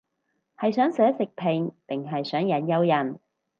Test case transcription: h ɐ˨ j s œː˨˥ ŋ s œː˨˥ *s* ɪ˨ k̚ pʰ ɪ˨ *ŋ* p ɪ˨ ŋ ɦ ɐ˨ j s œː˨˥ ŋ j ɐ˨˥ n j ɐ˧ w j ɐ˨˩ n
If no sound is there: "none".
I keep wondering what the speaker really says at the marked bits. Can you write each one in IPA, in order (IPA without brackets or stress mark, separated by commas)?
s, ŋ